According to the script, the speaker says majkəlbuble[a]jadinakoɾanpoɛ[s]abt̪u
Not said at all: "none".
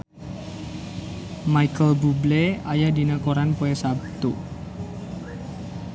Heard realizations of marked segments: a, s

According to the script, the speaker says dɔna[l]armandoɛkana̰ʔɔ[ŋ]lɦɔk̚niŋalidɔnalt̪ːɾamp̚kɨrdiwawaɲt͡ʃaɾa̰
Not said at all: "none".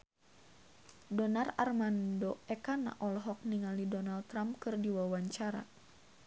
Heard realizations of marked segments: r, none

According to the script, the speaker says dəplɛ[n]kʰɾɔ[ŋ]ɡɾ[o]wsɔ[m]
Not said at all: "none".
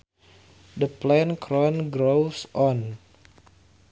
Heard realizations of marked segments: n, n, o, n

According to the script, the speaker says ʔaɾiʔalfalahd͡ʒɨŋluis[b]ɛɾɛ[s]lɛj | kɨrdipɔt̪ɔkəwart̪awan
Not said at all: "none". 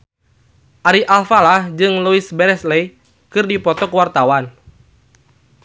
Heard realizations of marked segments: b, s

